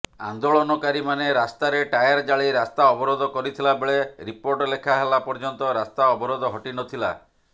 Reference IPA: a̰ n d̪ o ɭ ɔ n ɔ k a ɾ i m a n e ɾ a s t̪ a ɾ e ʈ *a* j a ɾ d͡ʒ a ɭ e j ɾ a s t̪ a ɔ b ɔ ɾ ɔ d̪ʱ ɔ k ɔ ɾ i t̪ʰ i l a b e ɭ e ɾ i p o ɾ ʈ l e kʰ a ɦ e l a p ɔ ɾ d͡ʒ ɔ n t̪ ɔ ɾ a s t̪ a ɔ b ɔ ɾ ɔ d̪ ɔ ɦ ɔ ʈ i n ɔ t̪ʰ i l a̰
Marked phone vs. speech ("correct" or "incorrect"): correct